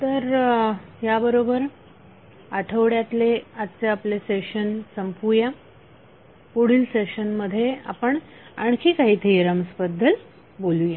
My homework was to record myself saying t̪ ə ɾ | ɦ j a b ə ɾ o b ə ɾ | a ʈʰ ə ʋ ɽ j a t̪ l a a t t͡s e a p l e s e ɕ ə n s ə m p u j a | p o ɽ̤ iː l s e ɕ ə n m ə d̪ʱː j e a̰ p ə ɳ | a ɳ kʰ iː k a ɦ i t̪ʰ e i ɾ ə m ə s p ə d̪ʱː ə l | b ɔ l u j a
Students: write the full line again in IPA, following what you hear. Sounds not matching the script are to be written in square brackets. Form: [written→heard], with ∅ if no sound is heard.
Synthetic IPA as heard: t̪ ə ɾ | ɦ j a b ə ɾ o b ə ɾ | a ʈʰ ə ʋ ɽ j a t̪ l [a→e] a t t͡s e a p l e s e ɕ ə n s ə m p u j a | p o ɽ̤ iː l s e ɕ ə n m ə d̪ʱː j e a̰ p ə ɳ | a ɳ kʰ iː k a ɦ i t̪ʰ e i ɾ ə m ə s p ə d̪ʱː ə l | b [ɔ→o] l u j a